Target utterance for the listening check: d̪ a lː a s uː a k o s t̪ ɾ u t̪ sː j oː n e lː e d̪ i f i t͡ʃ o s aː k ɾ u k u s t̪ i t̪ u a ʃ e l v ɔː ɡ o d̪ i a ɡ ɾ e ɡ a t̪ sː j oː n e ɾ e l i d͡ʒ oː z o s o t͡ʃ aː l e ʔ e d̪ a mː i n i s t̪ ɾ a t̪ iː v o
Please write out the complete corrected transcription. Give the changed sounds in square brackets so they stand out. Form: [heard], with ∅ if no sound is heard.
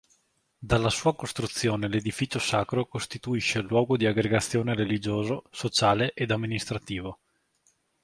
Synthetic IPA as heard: d̪ a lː a s uː a k o s t̪ ɾ u t̪ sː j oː n e [l] e d̪ i f i t͡ʃ o s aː k ɾ [o] k [o] s t̪ i t̪ u [i] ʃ e l [w] ɔː ɡ o d̪ i a ɡ ɾ e ɡ a t̪ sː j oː n e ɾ e l i d͡ʒ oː z o s o t͡ʃ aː l e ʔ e d̪ a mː i n i s t̪ ɾ a t̪ iː v o